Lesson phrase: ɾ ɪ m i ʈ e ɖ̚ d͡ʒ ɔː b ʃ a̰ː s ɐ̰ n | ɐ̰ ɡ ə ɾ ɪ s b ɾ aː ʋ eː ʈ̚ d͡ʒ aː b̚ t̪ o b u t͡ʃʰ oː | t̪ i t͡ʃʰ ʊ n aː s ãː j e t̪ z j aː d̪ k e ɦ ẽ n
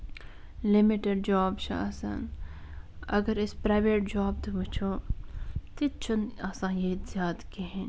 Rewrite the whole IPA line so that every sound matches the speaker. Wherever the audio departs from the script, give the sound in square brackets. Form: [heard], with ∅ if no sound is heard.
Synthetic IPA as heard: [l] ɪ m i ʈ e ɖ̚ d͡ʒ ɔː b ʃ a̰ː s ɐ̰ n | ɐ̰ ɡ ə ɾ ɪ s [p] ɾ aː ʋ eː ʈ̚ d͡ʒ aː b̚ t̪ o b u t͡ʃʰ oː | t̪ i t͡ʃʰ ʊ n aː s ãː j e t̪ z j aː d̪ k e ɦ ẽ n